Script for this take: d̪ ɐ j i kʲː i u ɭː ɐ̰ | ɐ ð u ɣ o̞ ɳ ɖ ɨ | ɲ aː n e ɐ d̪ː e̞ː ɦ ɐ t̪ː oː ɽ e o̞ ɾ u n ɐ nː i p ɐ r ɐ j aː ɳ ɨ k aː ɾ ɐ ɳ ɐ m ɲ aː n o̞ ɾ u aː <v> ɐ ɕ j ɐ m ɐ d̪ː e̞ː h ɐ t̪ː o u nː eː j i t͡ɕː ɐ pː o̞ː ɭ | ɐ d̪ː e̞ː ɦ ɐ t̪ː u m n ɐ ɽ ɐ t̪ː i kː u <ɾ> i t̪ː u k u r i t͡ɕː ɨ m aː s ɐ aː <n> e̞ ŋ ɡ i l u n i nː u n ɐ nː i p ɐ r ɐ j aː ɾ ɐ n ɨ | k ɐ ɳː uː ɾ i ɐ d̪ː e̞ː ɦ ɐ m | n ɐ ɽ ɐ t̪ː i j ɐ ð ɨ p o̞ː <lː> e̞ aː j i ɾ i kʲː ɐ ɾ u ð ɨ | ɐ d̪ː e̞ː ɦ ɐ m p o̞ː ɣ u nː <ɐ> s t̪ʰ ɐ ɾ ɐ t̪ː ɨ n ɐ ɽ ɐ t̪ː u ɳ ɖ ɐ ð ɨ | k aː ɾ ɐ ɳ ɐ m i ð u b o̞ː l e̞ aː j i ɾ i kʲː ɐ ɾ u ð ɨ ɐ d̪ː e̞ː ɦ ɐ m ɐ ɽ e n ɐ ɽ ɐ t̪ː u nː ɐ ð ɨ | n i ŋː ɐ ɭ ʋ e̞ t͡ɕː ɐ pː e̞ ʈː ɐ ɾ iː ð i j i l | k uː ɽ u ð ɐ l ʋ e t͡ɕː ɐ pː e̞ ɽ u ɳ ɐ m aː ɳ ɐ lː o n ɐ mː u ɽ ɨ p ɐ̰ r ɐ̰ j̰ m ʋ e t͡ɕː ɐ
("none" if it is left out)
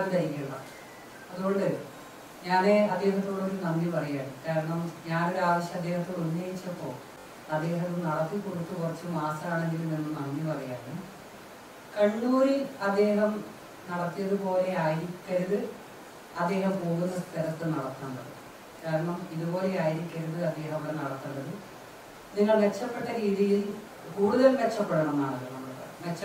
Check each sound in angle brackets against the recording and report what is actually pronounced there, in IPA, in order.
ʋ, ɽ, ɳ, l, ɐ

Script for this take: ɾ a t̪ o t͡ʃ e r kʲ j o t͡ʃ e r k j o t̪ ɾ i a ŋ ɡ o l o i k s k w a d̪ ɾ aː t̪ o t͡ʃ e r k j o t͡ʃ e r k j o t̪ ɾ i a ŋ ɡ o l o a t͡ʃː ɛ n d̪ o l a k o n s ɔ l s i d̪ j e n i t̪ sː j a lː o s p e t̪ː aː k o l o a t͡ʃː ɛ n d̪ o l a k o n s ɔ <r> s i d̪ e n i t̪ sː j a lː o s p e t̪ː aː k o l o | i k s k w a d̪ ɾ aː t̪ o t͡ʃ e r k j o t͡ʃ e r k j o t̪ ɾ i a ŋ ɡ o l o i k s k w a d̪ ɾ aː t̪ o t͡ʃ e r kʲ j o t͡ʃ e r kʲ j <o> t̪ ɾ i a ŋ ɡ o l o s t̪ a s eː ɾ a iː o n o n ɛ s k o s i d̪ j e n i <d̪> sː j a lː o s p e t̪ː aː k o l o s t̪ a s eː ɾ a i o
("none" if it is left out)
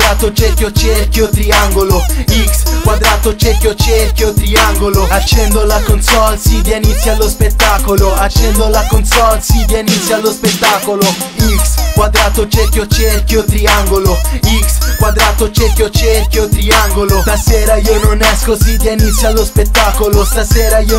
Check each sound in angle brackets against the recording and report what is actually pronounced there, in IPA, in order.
l, o, t̪

